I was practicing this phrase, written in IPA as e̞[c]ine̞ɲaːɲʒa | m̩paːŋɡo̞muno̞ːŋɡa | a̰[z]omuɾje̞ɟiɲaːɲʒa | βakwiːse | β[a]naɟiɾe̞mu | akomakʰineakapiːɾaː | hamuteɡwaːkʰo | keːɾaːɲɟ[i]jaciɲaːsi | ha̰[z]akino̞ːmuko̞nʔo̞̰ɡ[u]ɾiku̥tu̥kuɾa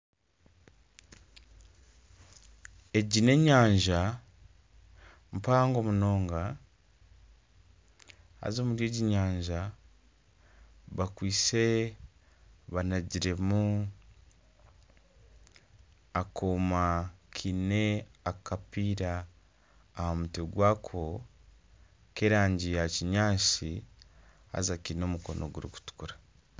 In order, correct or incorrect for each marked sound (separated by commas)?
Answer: incorrect, correct, correct, correct, correct, correct